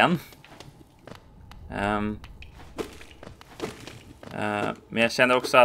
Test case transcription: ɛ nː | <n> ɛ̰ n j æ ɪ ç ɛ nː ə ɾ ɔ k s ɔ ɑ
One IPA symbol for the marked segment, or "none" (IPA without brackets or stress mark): m